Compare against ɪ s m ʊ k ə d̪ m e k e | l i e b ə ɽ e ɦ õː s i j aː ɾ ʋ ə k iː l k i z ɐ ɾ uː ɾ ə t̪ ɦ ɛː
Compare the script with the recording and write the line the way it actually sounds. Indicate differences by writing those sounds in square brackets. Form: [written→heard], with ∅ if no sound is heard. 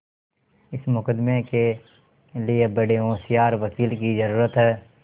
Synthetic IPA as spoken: ɪ s m ʊ k ə d̪ m e k e | l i e b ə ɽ e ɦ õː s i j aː ɾ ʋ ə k iː l k i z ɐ ɾ uː ɾ ə t̪ ɦ ɛː